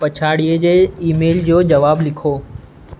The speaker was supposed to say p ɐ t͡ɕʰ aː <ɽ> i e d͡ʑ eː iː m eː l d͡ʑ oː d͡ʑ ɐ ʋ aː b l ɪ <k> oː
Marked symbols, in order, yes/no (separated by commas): yes, no